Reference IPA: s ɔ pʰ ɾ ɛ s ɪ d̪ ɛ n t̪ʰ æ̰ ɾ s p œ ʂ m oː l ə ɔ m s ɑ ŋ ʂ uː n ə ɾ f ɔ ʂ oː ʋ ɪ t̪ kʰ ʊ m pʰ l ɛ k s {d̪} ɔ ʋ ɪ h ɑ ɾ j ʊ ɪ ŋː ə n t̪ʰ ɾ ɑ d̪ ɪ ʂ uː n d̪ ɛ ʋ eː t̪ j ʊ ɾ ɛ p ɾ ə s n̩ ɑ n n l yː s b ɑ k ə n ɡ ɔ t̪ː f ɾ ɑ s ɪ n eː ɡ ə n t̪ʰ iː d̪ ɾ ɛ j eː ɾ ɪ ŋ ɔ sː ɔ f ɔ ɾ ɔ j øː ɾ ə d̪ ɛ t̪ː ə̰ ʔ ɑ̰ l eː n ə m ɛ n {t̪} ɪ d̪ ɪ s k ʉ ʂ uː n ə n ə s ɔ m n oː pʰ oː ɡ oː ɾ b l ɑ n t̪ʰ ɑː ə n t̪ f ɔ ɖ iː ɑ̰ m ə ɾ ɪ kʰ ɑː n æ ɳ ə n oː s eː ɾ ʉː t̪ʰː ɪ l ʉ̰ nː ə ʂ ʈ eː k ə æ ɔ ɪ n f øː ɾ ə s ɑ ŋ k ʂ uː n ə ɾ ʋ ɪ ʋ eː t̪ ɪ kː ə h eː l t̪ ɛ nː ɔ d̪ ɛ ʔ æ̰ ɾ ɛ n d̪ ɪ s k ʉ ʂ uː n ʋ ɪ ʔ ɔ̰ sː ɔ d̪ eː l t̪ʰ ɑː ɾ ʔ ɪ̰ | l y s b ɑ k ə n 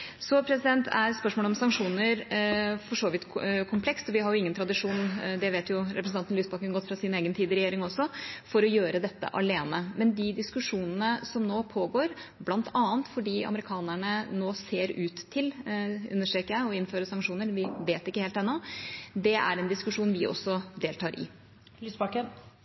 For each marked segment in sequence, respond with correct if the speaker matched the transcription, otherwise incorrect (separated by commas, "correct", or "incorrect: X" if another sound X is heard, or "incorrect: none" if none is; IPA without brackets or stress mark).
incorrect: t̪, incorrect: d̪